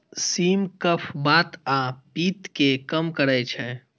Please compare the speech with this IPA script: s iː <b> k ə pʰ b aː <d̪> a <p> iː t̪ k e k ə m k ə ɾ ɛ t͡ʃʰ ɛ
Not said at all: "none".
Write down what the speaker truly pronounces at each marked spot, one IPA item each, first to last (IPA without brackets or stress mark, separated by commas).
m, t̪, p